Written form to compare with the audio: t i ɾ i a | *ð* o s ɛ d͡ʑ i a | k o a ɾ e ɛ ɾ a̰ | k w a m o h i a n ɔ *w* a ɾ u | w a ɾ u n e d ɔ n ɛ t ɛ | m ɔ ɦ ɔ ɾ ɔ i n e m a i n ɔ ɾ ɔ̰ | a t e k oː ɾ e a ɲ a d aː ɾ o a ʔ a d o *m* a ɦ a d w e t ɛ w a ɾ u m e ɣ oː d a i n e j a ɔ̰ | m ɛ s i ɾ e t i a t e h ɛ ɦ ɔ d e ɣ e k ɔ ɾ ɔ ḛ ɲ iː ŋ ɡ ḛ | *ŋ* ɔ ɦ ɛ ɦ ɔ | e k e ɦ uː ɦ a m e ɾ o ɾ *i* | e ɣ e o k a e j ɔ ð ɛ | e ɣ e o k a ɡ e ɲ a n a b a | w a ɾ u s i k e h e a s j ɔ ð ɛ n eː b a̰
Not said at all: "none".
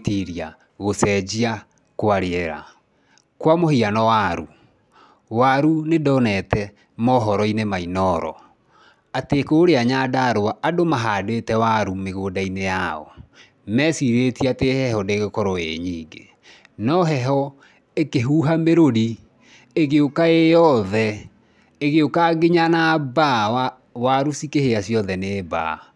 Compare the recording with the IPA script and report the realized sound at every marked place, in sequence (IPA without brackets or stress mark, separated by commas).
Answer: ɣ, w, m, n, i